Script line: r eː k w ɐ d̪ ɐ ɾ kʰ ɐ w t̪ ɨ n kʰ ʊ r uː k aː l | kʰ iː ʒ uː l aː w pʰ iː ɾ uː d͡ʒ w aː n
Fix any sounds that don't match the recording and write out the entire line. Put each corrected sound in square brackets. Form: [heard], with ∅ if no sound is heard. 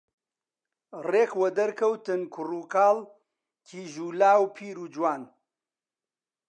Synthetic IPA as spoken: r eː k w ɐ d̪ ɐ ɾ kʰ ɐ w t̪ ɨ n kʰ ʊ r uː k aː l | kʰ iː ʒ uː l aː w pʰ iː ɾ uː d͡ʒ w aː n